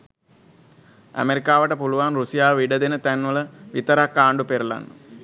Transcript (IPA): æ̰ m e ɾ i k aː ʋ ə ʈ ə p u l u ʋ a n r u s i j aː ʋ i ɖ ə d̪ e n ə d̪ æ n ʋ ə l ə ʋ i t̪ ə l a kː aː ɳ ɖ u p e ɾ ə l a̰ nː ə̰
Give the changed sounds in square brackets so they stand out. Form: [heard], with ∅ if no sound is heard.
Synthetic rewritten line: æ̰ m e ɾ i k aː ʋ ə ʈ ə p u l u ʋ a n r u s i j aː ʋ i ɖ ə d̪ e n ə [t̪] æ n ʋ ə l ə ʋ i t̪ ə [ɾ] a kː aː ɳ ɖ u p e ɾ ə l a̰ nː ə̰

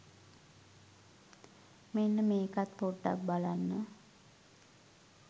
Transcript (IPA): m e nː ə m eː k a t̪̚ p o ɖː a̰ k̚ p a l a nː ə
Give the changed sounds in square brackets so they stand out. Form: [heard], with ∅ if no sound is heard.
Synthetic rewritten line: m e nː ə m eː k a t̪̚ p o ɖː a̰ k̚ [b] a l a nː ə

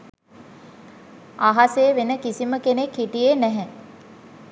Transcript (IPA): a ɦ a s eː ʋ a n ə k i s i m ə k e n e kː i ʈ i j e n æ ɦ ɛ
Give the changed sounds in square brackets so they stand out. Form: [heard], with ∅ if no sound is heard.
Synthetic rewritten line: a ɦ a s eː ʋ [e] n ə k i s i m ə k e n e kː i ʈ i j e n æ ɦ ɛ

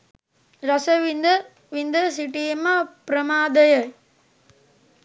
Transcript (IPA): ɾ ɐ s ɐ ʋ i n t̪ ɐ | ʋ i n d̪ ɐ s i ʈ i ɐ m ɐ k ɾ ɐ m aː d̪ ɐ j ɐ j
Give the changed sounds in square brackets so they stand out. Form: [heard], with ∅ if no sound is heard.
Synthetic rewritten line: ɾ ɐ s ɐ ʋ i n [d̪] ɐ | ʋ i n d̪ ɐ s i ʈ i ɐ m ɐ [p] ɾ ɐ m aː d̪ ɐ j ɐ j

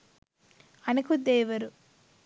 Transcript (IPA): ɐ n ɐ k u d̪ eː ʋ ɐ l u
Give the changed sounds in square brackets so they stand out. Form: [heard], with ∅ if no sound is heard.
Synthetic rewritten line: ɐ n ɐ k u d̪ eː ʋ ɐ [ɾ] u

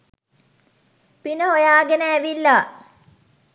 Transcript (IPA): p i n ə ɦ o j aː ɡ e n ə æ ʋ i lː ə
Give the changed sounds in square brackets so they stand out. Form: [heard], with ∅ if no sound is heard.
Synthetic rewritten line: p i n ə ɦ o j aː ɡ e n ə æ ʋ i lː [a]

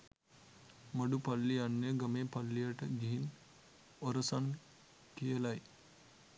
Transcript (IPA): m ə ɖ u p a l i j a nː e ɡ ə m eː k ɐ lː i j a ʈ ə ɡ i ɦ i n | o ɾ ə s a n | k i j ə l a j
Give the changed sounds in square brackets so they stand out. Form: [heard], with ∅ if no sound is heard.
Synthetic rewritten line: m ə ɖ u p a [lː] i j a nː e ɡ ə m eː [p] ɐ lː i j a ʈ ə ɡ i ɦ i n | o ɾ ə s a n | k i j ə l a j

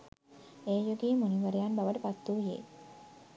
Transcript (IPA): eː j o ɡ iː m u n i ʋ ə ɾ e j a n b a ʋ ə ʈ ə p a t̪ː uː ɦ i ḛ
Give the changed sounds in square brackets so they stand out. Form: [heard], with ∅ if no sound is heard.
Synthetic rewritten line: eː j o ɡ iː m u n i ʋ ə ɾ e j a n b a ʋ ə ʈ ə p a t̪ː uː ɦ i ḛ

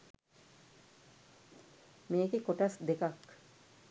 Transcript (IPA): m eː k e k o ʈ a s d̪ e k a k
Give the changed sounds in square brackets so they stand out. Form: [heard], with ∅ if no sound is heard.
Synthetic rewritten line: m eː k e k o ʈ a s d̪ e k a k

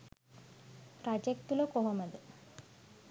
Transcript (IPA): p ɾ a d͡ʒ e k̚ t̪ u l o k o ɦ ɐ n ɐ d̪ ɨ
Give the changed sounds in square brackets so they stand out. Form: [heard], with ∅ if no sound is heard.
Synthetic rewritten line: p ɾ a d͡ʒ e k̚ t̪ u l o k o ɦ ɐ [m] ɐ d̪ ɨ

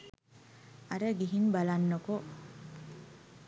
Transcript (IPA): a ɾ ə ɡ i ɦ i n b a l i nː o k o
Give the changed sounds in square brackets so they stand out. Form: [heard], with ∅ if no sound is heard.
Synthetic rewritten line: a ɾ ə ɡ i ɦ i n b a l [a] nː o k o

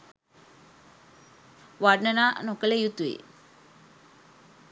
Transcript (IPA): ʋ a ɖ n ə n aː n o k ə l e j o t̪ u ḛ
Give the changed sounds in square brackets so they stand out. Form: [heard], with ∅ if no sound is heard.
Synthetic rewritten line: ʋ a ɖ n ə n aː n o k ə l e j [u] t̪ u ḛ

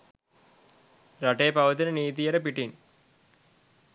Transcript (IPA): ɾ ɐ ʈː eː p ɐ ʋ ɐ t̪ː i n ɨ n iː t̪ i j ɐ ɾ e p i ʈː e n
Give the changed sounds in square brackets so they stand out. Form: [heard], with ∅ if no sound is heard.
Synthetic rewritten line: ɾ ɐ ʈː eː p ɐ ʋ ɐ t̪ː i n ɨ n iː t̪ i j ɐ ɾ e p i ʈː [i] n

